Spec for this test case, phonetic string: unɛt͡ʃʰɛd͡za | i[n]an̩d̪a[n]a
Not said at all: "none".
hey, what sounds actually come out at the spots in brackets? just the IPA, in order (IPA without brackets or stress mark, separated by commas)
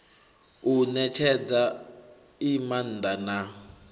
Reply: m, n